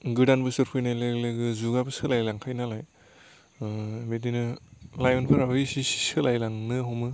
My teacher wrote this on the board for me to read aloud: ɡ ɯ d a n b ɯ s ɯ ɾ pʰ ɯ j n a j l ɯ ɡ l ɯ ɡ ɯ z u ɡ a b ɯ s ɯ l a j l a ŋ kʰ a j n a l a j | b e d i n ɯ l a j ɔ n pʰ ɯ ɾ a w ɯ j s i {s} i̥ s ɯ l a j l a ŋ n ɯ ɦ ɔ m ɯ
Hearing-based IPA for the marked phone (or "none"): s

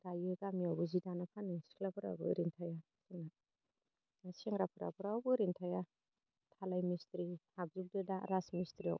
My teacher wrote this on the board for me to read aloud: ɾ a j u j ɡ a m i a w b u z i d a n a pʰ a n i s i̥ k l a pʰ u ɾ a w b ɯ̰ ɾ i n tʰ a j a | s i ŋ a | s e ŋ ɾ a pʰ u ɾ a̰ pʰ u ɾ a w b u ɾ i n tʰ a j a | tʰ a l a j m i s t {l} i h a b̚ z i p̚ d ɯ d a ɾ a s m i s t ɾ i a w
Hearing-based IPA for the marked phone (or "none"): ɾ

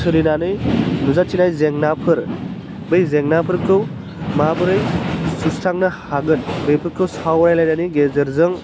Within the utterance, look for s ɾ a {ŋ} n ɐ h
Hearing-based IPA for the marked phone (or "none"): ŋ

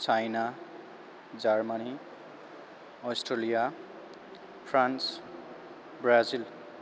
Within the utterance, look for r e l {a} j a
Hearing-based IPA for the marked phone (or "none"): i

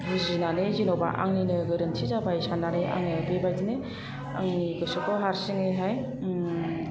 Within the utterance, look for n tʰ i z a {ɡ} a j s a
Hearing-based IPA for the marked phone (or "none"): b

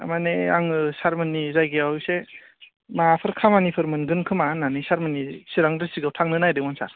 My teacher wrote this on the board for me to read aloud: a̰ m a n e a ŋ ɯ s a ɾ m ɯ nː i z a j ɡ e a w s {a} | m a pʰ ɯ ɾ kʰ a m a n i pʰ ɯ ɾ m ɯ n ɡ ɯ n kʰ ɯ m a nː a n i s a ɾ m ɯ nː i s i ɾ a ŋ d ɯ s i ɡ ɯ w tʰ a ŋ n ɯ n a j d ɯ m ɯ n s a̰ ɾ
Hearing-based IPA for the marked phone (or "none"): e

